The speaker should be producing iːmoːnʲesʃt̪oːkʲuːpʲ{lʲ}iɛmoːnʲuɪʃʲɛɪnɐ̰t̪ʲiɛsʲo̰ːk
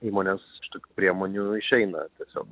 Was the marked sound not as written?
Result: yes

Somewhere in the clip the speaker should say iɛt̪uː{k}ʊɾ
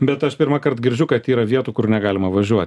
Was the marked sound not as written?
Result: no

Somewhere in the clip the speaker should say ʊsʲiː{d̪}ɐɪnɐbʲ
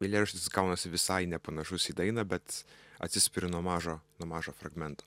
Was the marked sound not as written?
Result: no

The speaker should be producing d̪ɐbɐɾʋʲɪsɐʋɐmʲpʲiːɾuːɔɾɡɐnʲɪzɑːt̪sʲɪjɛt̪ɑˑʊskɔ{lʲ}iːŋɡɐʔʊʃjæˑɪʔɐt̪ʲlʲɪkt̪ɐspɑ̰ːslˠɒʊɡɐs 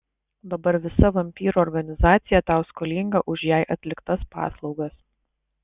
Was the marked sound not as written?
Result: no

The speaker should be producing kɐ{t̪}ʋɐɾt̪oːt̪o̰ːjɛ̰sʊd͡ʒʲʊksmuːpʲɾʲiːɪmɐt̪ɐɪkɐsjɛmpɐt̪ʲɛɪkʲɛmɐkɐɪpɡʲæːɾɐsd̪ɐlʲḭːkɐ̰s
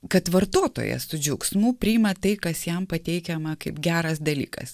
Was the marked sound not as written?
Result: no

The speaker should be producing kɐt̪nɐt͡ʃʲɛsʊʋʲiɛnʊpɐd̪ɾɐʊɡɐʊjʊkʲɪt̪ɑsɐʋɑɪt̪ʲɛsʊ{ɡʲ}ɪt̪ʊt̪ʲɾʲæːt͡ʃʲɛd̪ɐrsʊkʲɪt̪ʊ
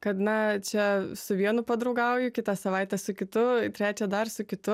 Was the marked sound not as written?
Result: yes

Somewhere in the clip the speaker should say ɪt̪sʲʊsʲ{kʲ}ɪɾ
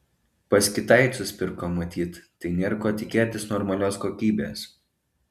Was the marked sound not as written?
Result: yes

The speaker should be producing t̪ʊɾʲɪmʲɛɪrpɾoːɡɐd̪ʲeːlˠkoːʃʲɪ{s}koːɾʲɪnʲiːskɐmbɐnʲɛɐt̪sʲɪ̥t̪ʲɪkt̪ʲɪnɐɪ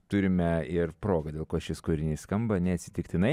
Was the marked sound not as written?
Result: no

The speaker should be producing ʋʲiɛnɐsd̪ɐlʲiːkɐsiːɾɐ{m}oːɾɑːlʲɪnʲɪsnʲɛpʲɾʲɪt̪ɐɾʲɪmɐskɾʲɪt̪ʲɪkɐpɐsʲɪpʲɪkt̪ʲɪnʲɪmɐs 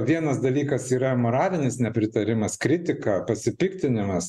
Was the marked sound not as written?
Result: no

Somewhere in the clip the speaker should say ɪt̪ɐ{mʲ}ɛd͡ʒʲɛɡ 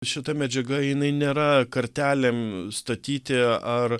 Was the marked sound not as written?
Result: no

